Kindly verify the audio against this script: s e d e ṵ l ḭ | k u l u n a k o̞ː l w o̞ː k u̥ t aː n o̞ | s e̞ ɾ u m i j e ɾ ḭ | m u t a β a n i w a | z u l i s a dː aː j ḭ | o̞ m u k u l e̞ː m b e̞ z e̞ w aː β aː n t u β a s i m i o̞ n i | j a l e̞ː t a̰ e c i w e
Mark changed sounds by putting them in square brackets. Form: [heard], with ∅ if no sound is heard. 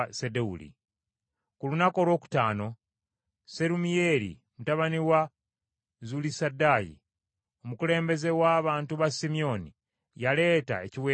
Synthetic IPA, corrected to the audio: s e d e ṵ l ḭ | k u l u n a k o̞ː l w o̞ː k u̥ t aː n o̞ | s e̞ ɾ u m i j e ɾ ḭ | m u t a β a n i w a | z u l i s a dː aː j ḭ | o̞ m u k u l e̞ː m b e̞ z e̞ w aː β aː n t u β a s i m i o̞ n i | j a l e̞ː t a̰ e c i w e

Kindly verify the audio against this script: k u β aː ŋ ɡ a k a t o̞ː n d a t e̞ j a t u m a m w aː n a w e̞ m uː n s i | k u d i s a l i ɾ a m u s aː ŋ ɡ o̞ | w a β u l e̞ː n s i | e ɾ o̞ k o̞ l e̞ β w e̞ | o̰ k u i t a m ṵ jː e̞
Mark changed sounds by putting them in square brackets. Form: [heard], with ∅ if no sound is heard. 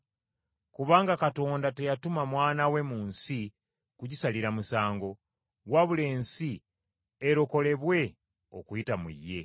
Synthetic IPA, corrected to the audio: k u β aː ŋ ɡ a k a t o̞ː n d a t e̞ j a t u m a m w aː n a w e̞ m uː n s i | k u [ɟ] i s a l i ɾ a m u s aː ŋ ɡ o̞ | w a β u l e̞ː n s i | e ɾ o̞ k o̞ l e̞ β w e̞ | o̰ k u i t a m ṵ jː e̞

